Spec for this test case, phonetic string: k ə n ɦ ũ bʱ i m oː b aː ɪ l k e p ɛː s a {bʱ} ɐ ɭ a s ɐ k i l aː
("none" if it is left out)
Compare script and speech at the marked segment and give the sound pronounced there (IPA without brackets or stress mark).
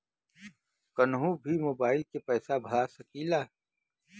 bʱ